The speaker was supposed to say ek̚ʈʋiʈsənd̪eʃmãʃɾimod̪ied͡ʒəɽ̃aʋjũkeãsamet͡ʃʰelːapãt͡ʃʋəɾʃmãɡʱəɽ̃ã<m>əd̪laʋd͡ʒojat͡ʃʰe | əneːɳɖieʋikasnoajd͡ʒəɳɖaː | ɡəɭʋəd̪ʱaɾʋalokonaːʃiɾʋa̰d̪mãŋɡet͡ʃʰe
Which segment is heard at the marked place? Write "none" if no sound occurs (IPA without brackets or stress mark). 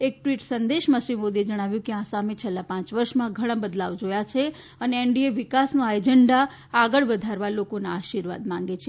b